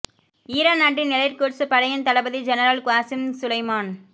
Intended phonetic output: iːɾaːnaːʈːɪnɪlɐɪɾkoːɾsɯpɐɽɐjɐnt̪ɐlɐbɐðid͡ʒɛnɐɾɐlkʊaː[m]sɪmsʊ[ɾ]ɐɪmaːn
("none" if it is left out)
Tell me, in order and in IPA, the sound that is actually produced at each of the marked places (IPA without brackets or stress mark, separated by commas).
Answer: none, l